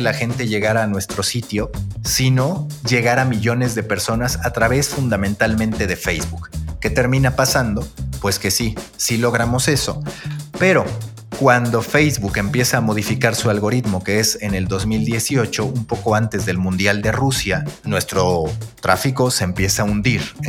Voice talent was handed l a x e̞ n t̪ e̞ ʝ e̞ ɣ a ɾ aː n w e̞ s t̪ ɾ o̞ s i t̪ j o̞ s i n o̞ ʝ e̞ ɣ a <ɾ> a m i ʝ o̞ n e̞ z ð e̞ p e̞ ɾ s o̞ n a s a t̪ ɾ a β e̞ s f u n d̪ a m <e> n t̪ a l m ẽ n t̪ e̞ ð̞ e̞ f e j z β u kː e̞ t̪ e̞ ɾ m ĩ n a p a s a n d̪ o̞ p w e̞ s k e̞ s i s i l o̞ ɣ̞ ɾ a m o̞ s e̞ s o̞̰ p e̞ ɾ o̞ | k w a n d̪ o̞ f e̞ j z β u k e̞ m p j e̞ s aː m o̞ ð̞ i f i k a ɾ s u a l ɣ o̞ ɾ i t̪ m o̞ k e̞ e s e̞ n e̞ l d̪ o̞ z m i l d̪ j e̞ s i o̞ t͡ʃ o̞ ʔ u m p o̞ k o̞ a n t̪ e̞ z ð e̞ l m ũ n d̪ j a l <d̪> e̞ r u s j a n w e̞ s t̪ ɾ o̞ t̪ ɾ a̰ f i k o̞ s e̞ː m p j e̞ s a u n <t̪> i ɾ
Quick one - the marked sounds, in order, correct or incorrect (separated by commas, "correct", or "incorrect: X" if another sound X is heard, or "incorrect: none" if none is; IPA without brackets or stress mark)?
correct, incorrect: ẽ, correct, incorrect: d̪